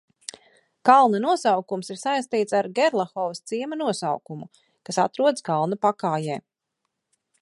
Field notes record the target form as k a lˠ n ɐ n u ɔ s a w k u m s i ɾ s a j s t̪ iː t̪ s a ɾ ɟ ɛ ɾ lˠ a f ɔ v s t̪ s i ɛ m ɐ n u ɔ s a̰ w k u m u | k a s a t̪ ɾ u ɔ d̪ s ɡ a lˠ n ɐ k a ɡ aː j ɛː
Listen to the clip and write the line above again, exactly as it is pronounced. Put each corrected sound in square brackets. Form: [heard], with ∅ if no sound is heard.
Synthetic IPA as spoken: k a lˠ n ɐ n u ɔ s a w k u m s i ɾ s a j s t̪ iː t̪ s a ɾ [ɡ] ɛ ɾ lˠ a [x] ɔ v s t̪ s i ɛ m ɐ n u ɔ s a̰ w k u m u | k a s a t̪ ɾ u ɔ d̪ s [k] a lˠ n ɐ [p] a [k] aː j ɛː